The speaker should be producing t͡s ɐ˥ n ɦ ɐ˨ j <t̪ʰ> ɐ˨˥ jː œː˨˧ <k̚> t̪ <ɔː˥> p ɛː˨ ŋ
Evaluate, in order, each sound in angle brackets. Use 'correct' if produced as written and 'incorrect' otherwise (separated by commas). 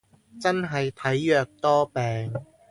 correct, correct, correct